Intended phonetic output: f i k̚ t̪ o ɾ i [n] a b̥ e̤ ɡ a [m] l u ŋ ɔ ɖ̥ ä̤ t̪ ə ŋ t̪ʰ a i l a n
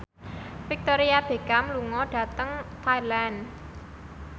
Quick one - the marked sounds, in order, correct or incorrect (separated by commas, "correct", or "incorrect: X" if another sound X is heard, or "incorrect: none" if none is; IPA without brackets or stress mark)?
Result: incorrect: none, correct